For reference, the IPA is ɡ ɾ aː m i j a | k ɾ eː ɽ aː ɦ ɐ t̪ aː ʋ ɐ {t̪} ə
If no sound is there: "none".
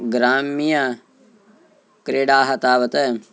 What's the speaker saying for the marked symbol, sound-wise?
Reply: t̪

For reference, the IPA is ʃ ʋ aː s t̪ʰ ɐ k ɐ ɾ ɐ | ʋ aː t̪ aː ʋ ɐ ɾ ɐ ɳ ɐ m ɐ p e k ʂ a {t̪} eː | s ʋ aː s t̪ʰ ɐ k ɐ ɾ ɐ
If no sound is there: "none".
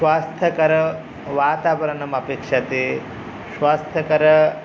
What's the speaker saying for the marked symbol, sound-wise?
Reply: t̪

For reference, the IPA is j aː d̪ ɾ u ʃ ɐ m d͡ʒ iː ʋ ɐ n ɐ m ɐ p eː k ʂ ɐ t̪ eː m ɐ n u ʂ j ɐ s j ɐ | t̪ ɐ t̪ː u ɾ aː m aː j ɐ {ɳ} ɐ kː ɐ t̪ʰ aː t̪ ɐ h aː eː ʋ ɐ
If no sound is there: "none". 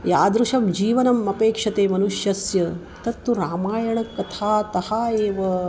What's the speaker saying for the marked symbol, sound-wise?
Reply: ɳ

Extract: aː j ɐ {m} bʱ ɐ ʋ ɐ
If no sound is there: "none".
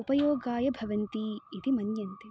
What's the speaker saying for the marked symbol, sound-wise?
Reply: none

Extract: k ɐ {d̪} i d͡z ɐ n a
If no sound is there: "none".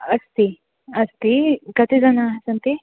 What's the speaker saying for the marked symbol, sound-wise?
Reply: t̪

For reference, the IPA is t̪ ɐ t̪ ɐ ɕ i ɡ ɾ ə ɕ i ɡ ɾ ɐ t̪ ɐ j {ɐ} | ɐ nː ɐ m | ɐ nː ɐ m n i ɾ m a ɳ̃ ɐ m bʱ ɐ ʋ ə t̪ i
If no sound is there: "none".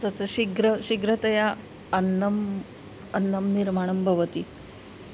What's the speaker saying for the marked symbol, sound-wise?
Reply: a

